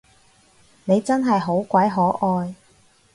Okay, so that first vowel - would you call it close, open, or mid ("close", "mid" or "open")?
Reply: mid